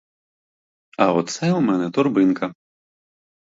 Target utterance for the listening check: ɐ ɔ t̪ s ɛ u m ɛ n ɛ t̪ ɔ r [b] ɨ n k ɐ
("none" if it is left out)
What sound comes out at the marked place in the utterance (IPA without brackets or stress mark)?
b